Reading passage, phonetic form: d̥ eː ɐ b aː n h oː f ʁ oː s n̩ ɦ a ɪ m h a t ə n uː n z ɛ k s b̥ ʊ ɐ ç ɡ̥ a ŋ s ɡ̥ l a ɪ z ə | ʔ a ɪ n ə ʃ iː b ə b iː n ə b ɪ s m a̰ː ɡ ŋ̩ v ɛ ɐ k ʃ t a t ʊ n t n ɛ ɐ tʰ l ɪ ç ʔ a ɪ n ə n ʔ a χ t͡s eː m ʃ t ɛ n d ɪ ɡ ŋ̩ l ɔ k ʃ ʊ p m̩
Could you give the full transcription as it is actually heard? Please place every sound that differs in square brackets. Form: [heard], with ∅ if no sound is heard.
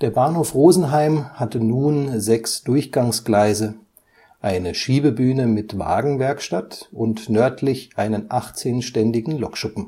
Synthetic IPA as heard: d̥ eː ɐ b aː n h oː f ʁ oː [z] n̩ ɦ a ɪ m h a t ə n uː n z ɛ k s [d̥] ʊ ɐ ç ɡ̥ a ŋ s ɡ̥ l a ɪ z ə | ʔ a ɪ n ə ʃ iː b ə b [yː] n ə [m] ɪ [t] m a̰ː ɡ ŋ̩ v ɛ ɐ k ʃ t a t ʊ n t n [œ] ɐ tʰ l ɪ ç ʔ a ɪ n ə n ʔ a χ t͡s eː [n] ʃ t ɛ n d ɪ ɡ ŋ̩ l ɔ k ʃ ʊ p m̩